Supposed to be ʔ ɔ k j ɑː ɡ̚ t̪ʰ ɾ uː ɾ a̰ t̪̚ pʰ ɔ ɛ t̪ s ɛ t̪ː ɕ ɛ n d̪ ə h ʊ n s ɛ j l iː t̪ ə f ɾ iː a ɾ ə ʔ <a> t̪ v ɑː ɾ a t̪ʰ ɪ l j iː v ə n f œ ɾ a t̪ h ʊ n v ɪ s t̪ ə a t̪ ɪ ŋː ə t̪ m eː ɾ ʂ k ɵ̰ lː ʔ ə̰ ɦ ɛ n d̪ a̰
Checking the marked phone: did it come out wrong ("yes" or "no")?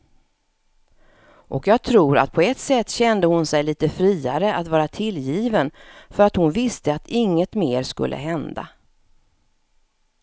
no